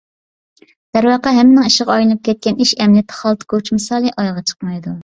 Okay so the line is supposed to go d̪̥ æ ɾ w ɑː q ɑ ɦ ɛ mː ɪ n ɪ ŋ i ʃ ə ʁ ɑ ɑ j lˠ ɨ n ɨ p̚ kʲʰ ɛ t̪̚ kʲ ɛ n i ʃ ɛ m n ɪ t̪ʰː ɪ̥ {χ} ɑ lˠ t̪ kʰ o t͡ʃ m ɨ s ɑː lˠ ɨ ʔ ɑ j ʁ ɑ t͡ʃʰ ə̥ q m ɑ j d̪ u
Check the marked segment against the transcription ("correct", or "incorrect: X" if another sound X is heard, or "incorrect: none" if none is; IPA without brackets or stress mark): correct